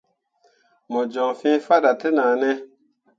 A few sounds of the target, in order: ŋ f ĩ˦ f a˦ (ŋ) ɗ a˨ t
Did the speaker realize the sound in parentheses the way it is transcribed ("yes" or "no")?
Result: no